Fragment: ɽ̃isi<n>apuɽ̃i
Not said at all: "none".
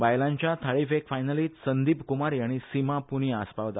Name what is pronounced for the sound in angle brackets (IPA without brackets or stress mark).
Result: m